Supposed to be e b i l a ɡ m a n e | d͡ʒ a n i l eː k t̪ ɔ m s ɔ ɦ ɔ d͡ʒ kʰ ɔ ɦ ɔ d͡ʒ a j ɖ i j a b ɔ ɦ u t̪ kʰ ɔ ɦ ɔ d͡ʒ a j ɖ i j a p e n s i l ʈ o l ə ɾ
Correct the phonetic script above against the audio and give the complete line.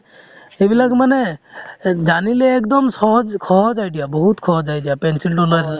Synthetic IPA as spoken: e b i l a ɡ m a n e | d͡ʒ a n i l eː k d̪ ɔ m s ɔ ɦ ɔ d͡ʒ kʰ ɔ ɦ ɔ d͡ʒ a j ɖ i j a b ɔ ɦ u t̪ kʰ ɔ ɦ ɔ d͡ʒ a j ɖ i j a p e n s i l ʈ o l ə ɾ